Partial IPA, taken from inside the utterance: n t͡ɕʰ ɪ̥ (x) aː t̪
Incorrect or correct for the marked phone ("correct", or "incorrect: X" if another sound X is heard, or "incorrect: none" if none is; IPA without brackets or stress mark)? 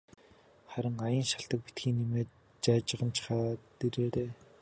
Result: incorrect: χ